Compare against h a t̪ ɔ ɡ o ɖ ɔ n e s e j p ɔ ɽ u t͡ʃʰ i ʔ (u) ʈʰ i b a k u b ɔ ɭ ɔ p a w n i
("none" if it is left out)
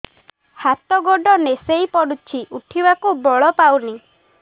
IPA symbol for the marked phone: u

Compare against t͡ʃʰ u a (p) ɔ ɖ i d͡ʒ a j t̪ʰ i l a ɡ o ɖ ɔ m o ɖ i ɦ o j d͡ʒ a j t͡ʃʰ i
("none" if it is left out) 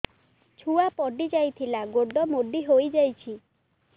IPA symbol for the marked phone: p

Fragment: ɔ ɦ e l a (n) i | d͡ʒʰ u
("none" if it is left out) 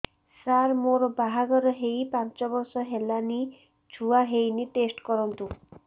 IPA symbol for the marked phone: n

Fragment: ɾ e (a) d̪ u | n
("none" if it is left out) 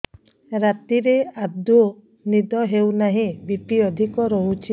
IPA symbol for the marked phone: a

